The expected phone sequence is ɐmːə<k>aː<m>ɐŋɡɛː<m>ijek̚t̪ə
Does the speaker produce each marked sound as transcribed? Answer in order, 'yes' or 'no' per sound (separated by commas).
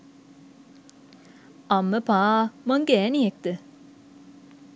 no, yes, no